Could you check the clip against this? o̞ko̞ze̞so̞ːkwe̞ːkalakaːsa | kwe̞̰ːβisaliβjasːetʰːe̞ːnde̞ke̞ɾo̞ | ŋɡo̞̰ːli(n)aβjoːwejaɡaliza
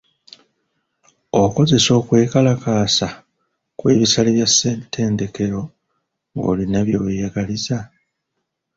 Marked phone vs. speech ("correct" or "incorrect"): correct